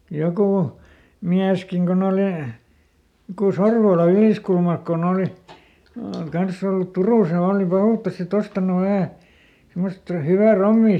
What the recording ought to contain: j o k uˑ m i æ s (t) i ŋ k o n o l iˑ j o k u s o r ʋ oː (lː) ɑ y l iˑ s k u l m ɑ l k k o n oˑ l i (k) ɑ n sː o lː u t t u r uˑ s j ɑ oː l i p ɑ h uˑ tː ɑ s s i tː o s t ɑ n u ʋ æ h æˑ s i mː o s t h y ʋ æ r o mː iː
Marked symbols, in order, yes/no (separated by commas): no, no, yes